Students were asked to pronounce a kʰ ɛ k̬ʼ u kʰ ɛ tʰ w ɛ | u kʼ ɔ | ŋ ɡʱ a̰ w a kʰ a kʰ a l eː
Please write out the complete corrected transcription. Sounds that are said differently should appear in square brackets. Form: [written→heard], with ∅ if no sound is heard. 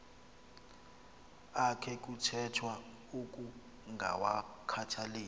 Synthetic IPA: a kʰ ɛ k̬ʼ u [kʰ→tʰ] ɛ tʰ w [ɛ→a] | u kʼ [ɔ→u] | ŋ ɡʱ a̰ w a kʰ a [kʰ→tʰ] a l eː